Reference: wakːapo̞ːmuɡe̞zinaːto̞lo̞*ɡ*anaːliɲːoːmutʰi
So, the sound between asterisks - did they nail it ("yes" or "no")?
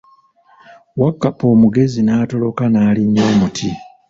no